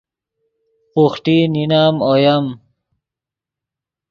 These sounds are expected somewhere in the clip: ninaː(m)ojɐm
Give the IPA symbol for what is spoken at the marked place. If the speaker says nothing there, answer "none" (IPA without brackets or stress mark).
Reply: m